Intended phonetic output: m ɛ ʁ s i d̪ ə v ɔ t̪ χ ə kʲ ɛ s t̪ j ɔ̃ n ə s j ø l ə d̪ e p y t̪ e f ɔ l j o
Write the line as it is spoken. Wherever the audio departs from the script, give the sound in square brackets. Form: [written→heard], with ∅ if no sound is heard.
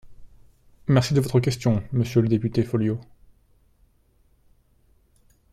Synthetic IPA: m ɛ ʁ s i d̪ ə v ɔ t̪ χ ə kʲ ɛ s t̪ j ɔ̃ [n→m] ə s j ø l ə d̪ e p y t̪ e f ɔ l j o